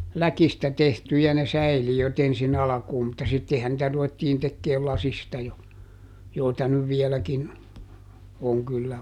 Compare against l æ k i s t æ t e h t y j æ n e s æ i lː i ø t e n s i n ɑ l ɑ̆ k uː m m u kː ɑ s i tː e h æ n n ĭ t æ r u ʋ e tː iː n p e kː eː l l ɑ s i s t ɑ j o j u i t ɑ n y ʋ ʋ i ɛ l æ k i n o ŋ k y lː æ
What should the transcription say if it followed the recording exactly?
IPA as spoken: l æ k i s t æ t e h t y j æ n e s æ i l i ø t e n s i n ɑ l ɑ̆ k uː m m u tː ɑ s i tː e h æ n n ĭ t æ r u ʋ e tː iː n t e kː eː l l ɑ s i s t ɑ j o j o i t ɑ n y ʋ ʋ i ɛ l æ k i n o ŋ k y lː æ